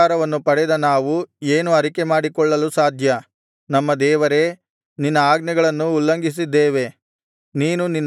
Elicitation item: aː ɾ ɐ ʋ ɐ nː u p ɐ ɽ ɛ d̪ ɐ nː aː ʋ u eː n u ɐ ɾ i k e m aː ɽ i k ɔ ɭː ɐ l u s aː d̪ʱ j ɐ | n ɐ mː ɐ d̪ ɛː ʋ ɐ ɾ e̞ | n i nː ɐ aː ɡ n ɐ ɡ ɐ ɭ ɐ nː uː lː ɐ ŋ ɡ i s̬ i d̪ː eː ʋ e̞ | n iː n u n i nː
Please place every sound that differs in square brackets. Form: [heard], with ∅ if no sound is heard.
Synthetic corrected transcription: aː ɾ ɐ ʋ ɐ nː u p ɐ ɽ ɛ d̪ ɐ [n] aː ʋ u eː n u ɐ ɾ i k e m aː ɽ i k ɔ ɭː ɐ l u s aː d̪ʱ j ɐ | n ɐ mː ɐ d̪ ɛː ʋ ɐ ɾ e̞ | n i nː ɐ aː ɡ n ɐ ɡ ɐ ɭ ɐ nː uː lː ɐ ŋ ɡ i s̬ i d̪ː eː ʋ e̞ | n iː n u n i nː